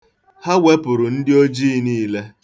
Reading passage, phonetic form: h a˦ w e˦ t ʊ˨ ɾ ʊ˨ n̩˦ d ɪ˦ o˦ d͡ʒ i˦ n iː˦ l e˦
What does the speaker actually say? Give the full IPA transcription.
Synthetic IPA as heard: h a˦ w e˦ p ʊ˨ ɾ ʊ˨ n̩˦ d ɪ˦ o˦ d͡ʒ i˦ n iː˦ l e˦